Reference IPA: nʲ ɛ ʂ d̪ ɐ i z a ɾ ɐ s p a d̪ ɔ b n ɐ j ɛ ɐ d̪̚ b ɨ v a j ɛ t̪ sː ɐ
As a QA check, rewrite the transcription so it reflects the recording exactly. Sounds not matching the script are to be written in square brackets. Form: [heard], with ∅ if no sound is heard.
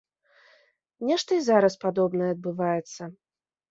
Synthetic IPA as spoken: nʲ ɛ ʂ [t̪] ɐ i z a ɾ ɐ s p a d̪ ɔ b n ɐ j ɛ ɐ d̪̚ b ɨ v a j ɛ t̪ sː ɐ